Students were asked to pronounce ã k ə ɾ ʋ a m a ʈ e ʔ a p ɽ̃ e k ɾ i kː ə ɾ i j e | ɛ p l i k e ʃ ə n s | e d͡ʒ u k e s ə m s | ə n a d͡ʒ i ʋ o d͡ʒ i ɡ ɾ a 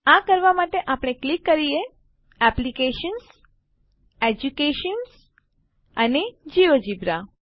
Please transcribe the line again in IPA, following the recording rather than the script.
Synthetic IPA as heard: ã k ə ɾ ʋ a m a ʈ e ʔ a p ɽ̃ e k l i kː ə ɾ i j e | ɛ p l i k e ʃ ə n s | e d͡ʒ u k e ʃ ə n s | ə n e d͡ʒ i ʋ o d͡ʒ i b ɾ a